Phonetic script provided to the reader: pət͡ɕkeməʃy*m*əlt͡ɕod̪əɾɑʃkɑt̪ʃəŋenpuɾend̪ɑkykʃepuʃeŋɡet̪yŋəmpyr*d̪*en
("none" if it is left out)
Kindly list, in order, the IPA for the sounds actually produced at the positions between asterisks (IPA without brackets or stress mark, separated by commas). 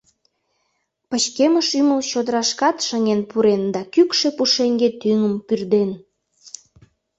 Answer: m, d̪